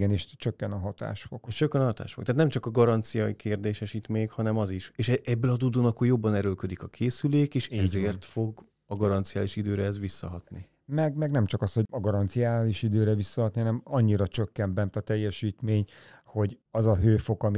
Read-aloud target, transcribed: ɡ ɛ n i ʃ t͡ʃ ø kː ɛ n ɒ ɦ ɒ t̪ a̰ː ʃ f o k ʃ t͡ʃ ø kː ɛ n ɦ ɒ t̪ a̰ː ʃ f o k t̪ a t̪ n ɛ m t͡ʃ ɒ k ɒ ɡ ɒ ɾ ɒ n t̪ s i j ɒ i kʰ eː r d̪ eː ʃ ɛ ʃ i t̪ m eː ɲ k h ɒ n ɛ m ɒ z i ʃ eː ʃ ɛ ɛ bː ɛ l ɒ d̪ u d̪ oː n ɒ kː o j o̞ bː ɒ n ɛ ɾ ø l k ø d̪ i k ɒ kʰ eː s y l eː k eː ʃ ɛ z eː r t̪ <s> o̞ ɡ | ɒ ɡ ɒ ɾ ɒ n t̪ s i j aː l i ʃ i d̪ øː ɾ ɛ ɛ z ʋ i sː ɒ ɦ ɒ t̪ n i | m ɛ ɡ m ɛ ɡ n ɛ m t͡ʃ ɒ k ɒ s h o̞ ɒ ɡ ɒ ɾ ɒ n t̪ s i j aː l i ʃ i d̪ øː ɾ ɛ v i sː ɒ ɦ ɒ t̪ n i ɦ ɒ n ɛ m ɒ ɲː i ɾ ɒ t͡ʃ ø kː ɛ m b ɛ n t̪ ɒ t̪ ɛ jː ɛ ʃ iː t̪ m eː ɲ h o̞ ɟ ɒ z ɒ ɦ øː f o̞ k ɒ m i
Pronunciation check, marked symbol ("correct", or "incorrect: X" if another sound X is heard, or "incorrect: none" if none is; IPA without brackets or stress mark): incorrect: f